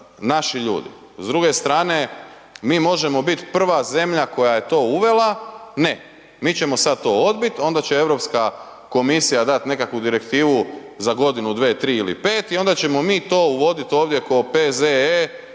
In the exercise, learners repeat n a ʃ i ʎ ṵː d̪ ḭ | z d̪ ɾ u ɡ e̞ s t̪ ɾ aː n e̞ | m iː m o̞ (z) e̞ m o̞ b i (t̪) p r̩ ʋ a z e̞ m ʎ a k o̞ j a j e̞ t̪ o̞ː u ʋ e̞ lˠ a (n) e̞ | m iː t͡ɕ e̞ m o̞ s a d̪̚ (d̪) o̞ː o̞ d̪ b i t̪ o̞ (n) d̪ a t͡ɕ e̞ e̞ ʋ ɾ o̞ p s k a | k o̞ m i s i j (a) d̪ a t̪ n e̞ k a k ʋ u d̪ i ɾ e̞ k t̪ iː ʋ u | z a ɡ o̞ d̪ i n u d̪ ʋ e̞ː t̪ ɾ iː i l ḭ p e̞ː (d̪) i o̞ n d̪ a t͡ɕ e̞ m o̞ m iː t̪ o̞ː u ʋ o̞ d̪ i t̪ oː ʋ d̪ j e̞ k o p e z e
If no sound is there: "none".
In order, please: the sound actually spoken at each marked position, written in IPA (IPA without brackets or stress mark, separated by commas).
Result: ʒ, t̪, n, t̪, n, a, t̪